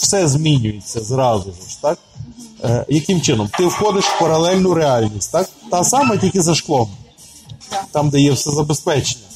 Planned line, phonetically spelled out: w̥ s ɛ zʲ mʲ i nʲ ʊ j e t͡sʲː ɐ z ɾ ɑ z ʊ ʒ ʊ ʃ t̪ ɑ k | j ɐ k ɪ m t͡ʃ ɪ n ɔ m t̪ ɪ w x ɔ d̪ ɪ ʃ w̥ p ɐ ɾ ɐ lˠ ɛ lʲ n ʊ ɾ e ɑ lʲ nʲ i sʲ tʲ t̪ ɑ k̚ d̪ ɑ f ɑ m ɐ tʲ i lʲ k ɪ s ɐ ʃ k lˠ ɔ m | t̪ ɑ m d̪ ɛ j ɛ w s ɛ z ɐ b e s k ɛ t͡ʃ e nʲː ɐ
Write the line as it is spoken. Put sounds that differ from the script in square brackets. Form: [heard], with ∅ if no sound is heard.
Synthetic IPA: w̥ s ɛ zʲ mʲ i nʲ ʊ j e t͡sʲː ɐ z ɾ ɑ z ʊ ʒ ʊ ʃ t̪ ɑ k | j ɐ k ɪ m t͡ʃ ɪ n ɔ m t̪ ɪ w x ɔ d̪ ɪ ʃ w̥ p ɐ ɾ ɐ lˠ ɛ lʲ n ʊ ɾ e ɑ lʲ nʲ i sʲ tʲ t̪ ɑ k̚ [t̪] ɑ [s] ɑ m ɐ tʲ i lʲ k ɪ [z] ɐ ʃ k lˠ ɔ m | t̪ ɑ m d̪ ɛ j ɛ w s ɛ z ɐ b e s [p] ɛ t͡ʃ e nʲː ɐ